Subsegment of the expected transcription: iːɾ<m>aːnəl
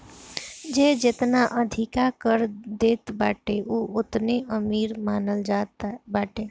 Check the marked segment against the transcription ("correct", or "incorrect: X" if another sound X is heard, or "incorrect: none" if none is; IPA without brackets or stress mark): correct